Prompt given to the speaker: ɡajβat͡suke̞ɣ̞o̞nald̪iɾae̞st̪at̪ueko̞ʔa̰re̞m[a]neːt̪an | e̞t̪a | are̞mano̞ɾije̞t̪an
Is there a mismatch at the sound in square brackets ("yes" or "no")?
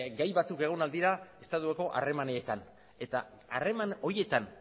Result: no